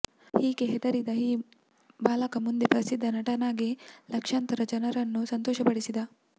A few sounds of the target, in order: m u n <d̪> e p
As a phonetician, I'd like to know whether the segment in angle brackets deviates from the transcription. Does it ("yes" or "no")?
no